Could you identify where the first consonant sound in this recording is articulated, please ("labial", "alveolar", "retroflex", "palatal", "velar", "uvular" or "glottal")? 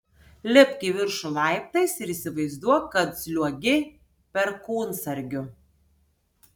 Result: alveolar